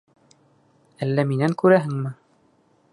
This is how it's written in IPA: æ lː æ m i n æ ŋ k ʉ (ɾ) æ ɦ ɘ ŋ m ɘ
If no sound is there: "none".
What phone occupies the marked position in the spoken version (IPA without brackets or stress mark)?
ɾ